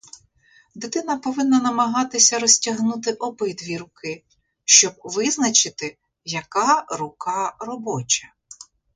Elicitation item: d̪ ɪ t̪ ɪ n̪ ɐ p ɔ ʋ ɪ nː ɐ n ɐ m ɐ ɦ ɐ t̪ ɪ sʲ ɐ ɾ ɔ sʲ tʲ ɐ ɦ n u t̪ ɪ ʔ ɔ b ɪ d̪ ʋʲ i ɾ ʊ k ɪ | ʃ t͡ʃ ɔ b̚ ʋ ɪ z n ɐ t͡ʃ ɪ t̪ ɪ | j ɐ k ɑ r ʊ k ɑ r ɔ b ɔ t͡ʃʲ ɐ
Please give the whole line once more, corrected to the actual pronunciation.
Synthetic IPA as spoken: d̪ ɪ t̪ ɪ n̪ ɐ p ɔ ʋ ɪ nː ɐ n ɐ m ɐ ɦ ɑ t̪ ɪ sʲ ɐ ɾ ɔ sʲ tʲ ɐ ɦ n u t̪ ɪ ʔ ɔ b ɪ d̪ ʋʲ i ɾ ʊ k ɪ | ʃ t͡ʃ ɔ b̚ ʋ ɪ z n ɐ t͡ʃ ɪ t̪ ɪ | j ɐ k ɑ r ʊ k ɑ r ɔ b ɔ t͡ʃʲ ɐ